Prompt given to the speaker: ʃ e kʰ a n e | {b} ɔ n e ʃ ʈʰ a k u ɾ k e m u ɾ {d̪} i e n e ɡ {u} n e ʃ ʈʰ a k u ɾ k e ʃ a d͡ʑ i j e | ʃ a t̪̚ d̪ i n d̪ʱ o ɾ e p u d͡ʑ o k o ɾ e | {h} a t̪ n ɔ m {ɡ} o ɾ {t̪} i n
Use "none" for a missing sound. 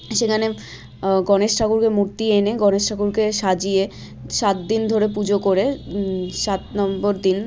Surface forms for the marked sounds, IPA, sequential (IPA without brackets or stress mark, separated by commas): ɡ, t̪, ɔ, ʃ, b, d̪